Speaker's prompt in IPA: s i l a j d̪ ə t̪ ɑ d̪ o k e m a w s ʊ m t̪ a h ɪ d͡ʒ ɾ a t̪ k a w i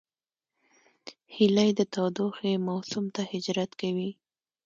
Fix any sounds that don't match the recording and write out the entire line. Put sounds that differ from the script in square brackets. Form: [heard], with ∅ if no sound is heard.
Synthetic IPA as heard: [h] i l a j d̪ ə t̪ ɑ d̪ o [x] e m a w s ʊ m t̪ a h ɪ d͡ʒ ɾ a t̪ k a w i